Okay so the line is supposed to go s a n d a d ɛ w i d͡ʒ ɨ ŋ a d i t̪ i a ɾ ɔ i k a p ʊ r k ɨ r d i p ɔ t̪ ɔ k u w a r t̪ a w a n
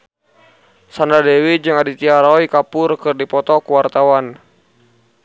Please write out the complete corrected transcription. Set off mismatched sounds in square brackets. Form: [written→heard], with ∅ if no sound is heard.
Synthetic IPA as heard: s a n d a d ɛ w i d͡ʒ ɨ ŋ a d i t̪ i a ɾ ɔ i k a p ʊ r k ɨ r d i p ɔ t̪ ɔ k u w a r t̪ a w a n